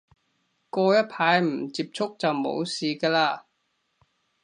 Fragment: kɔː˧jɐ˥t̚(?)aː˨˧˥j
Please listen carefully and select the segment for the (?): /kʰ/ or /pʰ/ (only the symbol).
pʰ